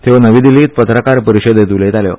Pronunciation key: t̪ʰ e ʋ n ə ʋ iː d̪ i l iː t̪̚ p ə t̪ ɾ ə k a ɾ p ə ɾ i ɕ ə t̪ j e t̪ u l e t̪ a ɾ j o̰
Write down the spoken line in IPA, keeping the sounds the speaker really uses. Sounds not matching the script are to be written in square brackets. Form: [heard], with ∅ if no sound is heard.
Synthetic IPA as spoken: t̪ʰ e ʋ n ə ʋ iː d̪ i l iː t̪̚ p ə t̪ ɾ ə k a ɾ p ə ɾ i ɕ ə [d̪] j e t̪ u l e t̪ a [l] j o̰

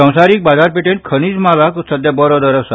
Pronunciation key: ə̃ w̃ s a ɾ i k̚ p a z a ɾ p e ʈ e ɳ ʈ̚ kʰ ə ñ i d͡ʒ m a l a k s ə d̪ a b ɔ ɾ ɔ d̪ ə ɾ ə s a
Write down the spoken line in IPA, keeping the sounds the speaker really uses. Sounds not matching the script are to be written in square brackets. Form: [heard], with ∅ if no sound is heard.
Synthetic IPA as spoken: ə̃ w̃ s a ɾ i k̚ [b] a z a ɾ p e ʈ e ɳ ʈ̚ kʰ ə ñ i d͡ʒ m a l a k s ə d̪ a b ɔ ɾ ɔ d̪ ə ɾ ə s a

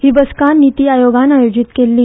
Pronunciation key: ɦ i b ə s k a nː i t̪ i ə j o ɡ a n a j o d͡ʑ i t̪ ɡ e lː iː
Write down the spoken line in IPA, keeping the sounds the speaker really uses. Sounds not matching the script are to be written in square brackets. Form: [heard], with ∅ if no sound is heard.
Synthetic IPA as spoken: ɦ i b ə s k a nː i t̪ i [a] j o ɡ a n a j o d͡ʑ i t̪ [k] e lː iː

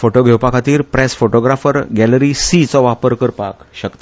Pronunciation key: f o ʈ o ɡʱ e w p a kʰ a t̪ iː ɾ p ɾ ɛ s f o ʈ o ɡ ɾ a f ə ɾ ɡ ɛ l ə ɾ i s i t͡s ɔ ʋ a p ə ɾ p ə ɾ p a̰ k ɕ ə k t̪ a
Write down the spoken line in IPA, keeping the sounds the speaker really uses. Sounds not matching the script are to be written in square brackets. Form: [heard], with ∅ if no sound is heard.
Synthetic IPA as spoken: f o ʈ o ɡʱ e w p a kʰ a t̪ iː ɾ p ɾ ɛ s f o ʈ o ɡ ɾ a f ə ɾ ɡ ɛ l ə ɾ i s i t͡s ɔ ʋ a p ə ɾ [k] ə ɾ p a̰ k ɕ ə k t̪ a

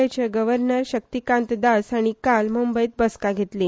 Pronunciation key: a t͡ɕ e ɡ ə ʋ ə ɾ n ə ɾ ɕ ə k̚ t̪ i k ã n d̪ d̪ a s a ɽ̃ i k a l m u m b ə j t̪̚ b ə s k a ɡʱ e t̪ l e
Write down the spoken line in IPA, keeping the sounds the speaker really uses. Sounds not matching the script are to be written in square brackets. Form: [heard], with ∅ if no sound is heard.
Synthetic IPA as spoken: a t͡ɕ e ɡ ə ʋ ə ɾ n ə ɾ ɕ ə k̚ t̪ i k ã n [t̪] d̪ a s a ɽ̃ i k a l m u m b ə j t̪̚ b ə s k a ɡʱ e t̪ l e

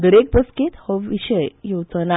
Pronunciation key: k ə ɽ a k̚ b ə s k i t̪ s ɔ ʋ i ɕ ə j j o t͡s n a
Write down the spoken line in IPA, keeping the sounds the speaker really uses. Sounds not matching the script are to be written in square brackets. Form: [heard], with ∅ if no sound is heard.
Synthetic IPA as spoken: [ɡ] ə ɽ [e] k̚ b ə s k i t̪ [h] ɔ ʋ i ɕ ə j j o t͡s n a

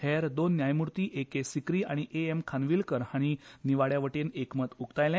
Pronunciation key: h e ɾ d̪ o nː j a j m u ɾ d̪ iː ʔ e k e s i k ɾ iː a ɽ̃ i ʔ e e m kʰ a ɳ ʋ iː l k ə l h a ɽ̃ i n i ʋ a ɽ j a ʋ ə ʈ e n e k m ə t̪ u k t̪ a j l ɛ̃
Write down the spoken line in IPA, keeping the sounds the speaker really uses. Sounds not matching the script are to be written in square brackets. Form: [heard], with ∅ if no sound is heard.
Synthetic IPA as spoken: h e ɾ d̪ o nː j a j m u ɾ [t̪] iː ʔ e k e s i k ɾ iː a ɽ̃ i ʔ e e m kʰ a [n] ʋ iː l k ə [ɾ] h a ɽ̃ i n i ʋ a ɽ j a ʋ ə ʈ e n e k m ə t̪ u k t̪ a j l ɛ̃

